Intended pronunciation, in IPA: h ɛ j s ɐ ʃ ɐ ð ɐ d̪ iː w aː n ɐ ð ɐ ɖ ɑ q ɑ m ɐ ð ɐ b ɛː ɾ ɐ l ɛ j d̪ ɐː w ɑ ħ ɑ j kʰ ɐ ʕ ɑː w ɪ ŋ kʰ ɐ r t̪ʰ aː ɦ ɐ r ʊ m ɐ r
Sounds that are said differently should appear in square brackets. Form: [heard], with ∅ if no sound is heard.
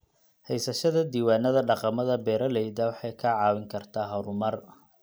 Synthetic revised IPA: h ɛ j s ɐ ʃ ɐ ð ɐ d̪ iː w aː n ɐ ð ɐ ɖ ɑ q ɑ m ɐ ð ɐ b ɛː ɾ ɐ l ɛ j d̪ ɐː w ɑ ħ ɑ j kʰ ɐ ʕ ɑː w ɪ ŋ kʰ ɐ r t̪ʰ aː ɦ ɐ [ɾ] ʊ m ɐ r